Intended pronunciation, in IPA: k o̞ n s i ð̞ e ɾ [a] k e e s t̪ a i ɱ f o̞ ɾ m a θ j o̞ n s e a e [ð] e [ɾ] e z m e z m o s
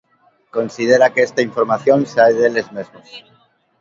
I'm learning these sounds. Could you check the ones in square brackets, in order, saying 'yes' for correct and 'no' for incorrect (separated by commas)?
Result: yes, yes, no